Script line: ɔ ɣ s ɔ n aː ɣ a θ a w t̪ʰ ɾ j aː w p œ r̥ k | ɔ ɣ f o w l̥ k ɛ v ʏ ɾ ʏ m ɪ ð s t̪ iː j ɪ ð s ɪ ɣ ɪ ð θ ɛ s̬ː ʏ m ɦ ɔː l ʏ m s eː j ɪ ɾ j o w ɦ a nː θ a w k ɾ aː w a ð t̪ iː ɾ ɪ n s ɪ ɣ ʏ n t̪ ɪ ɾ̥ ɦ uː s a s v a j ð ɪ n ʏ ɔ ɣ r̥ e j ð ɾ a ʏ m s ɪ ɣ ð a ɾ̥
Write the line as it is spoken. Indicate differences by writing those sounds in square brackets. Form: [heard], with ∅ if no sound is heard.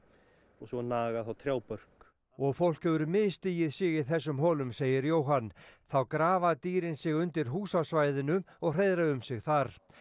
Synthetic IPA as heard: ɔ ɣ s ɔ n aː ɣ a θ a w t̪ʰ ɾ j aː w p œ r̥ k | ɔ ɣ f o w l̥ k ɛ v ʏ ɾ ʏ m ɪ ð s t̪ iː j ɪ ð s ɪ ɣ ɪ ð θ ɛ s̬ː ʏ m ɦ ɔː l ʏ m s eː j ɪ ɾ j o w ɦ a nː θ a w k ɾ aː [v] a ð t̪ iː ɾ ɪ n s ɪ ɣ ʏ n t̪ ɪ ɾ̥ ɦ uː s a s v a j ð ɪ n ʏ ɔ ɣ r̥ e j ð ɾ a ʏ m s ɪ ɣ [θ] a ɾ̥